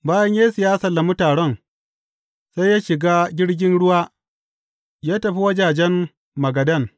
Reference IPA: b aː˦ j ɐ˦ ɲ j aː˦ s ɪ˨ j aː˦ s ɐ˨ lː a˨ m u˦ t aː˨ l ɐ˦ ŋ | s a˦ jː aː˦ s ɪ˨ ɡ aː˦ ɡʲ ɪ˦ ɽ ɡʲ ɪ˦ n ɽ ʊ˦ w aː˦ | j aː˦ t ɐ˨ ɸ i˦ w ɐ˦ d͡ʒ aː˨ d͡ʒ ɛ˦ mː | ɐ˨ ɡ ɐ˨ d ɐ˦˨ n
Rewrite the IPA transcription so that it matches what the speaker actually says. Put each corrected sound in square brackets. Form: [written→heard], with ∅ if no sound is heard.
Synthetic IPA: b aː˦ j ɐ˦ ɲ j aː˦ s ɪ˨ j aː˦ s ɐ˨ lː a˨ m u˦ t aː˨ [l→ɽ] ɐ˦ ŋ | s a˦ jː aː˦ [s→ʃ] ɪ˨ ɡ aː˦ ɡʲ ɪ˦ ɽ ɡʲ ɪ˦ n ɽ ʊ˦ w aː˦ | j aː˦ t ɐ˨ ɸ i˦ w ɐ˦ d͡ʒ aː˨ d͡ʒ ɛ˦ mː | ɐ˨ ɡ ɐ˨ d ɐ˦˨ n